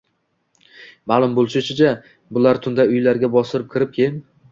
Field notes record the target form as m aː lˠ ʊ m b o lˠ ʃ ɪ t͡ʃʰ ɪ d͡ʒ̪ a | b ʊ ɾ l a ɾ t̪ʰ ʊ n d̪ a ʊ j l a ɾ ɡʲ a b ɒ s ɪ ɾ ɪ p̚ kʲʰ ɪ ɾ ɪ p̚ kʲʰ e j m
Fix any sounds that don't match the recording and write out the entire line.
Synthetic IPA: m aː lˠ ʊ m b o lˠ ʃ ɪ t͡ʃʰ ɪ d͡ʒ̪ a | b ʊ l a ɾ t̪ʰ ʊ n d̪ a ʊ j l a ɾ ɡʲ a b ɒ s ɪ ɾ ɪ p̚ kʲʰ ɪ ɾ ɪ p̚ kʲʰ e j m